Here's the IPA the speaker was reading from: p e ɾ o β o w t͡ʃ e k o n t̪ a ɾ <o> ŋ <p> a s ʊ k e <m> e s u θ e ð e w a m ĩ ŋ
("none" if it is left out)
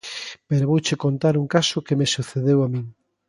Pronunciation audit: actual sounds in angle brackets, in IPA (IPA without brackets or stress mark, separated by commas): u, k, m